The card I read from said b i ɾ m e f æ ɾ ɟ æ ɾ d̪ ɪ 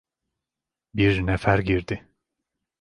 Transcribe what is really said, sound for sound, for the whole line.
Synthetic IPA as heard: b i ɾ n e f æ ɾ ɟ i ɾ d̪ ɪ